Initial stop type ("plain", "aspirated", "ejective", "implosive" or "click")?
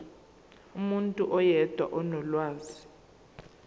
ejective